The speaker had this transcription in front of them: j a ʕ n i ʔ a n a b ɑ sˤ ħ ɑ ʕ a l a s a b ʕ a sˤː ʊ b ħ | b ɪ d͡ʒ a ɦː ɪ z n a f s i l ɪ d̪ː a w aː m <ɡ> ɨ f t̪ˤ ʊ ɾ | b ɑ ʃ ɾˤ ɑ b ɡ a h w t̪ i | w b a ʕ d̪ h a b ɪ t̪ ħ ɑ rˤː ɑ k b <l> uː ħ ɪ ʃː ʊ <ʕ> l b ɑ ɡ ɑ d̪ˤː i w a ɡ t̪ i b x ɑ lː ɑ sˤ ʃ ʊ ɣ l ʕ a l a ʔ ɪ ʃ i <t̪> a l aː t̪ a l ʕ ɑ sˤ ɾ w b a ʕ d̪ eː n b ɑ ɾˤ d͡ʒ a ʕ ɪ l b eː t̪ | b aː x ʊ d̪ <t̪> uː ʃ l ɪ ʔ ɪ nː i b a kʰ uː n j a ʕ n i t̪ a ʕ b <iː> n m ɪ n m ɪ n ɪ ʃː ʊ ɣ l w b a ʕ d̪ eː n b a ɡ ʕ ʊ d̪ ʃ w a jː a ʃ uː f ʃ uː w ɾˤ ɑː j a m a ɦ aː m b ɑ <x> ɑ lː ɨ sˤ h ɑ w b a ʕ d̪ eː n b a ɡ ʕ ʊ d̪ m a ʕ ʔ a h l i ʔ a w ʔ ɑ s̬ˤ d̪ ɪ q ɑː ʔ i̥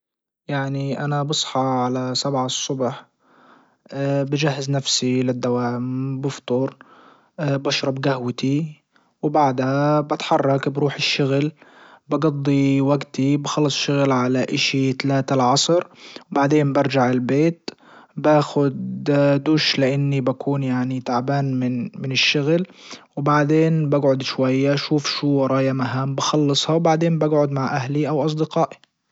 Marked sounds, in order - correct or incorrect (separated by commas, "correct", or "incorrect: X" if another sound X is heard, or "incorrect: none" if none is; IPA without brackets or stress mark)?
incorrect: b, incorrect: ɾ, incorrect: ɣ, correct, incorrect: d̪, incorrect: aː, correct